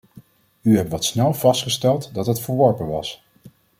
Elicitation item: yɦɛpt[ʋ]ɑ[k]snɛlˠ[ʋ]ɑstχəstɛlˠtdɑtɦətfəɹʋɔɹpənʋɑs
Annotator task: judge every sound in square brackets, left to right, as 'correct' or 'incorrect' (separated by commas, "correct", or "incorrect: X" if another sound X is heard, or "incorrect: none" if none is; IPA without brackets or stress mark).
correct, incorrect: t, incorrect: v